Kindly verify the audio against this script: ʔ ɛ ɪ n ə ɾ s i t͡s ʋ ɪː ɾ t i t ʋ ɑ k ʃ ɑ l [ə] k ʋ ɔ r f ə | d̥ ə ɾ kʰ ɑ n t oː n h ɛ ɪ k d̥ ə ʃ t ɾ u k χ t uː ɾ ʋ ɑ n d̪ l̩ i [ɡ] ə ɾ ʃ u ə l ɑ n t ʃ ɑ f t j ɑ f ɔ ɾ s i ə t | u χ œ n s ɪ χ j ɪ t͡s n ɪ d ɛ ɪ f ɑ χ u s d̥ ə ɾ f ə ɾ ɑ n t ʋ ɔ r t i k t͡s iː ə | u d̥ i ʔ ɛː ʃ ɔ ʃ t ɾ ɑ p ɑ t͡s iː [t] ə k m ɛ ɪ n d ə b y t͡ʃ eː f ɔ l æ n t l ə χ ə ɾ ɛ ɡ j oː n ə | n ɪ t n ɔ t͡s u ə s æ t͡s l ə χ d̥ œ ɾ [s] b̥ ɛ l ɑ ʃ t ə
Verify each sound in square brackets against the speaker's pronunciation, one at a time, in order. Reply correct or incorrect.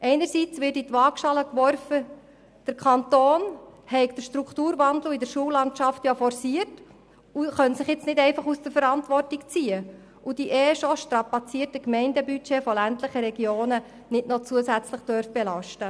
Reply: correct, incorrect, correct, incorrect

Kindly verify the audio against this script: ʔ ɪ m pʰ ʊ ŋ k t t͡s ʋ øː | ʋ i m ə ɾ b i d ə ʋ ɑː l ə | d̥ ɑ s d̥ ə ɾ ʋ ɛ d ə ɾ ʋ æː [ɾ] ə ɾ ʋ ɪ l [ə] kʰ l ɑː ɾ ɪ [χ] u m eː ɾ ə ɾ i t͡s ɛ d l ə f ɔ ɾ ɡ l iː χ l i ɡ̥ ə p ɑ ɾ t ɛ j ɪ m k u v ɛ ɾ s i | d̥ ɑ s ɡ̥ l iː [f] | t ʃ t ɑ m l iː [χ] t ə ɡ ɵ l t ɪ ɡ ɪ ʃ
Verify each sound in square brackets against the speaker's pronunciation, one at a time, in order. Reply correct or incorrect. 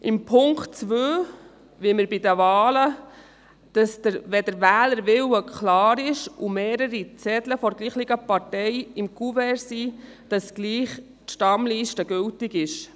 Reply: incorrect, correct, incorrect, incorrect, incorrect

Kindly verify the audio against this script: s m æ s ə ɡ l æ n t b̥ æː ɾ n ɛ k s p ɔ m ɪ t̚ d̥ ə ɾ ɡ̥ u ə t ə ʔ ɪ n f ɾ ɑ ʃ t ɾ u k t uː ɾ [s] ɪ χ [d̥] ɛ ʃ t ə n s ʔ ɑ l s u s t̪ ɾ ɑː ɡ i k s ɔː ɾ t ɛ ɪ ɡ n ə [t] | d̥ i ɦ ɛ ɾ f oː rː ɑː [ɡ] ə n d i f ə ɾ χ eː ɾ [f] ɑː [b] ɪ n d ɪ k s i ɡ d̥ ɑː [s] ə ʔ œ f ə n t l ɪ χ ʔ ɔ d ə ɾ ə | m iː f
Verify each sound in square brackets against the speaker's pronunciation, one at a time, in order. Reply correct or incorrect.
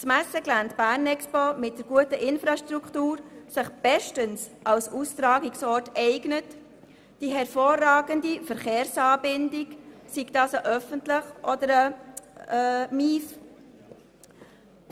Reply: correct, incorrect, correct, correct, incorrect, correct, correct

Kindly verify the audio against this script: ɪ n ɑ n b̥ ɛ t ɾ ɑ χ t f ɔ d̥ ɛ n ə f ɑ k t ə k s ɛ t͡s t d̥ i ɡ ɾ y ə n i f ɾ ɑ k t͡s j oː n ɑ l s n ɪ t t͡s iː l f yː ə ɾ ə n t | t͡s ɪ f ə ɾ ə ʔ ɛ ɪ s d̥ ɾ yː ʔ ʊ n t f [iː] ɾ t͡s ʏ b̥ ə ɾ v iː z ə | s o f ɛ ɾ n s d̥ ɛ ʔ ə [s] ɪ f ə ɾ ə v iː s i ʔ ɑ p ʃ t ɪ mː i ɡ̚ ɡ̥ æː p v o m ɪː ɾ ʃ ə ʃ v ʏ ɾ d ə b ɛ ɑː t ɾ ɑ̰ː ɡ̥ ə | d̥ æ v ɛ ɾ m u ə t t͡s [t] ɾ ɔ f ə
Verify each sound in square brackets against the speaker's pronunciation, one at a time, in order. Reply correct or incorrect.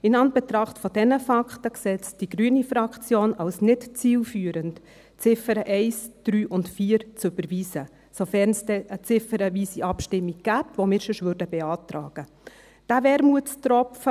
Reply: correct, incorrect, correct

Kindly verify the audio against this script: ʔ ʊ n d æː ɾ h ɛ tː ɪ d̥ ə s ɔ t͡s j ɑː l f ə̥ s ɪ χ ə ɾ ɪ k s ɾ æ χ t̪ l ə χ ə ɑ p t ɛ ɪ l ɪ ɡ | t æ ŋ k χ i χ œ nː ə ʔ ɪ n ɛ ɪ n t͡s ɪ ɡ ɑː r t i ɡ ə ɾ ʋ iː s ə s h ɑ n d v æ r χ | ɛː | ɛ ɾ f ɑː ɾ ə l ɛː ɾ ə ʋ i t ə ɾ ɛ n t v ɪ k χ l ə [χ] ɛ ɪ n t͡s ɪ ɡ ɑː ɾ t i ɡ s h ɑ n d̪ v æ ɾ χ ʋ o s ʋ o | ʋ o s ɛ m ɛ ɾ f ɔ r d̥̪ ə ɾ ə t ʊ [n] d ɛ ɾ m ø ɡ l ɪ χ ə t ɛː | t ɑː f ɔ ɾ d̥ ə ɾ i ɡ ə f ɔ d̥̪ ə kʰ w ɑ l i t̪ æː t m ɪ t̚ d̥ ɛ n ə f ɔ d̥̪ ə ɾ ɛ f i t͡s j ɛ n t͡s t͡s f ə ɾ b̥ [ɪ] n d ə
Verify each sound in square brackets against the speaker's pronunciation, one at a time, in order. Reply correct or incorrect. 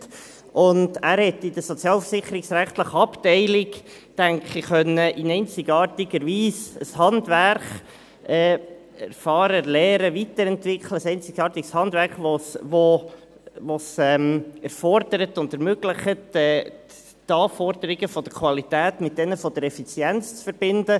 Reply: incorrect, correct, correct

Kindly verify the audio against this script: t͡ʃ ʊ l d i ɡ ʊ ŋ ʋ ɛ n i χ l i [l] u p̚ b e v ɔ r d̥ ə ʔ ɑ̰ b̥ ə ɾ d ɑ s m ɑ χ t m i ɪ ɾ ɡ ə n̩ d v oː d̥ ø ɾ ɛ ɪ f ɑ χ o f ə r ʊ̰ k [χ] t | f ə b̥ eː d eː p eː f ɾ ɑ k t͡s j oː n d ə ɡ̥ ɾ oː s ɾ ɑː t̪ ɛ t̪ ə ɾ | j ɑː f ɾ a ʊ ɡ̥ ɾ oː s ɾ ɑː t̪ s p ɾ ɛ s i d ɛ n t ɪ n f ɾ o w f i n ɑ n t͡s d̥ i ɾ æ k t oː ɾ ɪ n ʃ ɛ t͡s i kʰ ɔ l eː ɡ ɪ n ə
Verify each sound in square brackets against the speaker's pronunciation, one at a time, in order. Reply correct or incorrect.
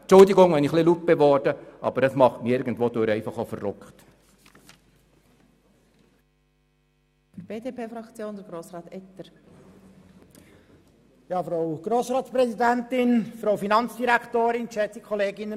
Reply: correct, correct

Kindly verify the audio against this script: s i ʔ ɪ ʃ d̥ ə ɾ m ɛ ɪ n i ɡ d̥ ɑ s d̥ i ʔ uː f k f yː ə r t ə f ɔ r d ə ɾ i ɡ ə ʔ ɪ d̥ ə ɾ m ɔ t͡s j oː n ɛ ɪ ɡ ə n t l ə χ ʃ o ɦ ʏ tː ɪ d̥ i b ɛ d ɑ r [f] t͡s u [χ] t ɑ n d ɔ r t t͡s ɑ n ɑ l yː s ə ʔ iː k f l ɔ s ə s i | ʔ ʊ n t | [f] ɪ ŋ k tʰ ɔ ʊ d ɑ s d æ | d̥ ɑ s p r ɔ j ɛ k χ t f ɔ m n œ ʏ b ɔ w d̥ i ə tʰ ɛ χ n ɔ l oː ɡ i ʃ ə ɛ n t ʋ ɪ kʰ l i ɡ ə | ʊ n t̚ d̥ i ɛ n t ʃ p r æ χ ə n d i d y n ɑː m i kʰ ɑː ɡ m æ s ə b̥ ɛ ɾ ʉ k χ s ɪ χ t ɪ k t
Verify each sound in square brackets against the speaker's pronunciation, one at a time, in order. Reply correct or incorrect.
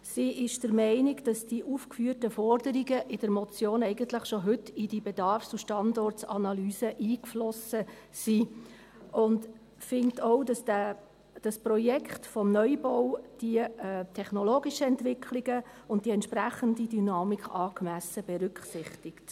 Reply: correct, incorrect, correct

